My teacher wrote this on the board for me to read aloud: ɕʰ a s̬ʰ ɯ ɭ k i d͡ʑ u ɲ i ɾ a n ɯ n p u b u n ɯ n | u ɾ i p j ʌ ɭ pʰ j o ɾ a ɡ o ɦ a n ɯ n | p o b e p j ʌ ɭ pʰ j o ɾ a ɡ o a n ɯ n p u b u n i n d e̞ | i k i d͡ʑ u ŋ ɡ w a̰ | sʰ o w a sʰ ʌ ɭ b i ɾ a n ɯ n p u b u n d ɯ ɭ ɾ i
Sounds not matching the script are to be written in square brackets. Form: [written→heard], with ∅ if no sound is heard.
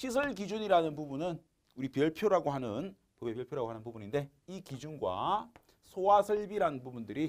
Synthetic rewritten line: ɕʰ [a→i] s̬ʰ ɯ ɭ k i d͡ʑ u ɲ i ɾ a n ɯ n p u b u n ɯ n | u ɾ i p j ʌ ɭ pʰ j o ɾ a ɡ o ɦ a n ɯ n | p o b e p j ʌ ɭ pʰ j o ɾ a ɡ o a n ɯ n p u b u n i n d e̞ | i k i d͡ʑ u [ŋ→n] ɡ w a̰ | sʰ o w a sʰ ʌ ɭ b i ɾ a n ɯ n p u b u n d ɯ [ɭ→∅] ɾ i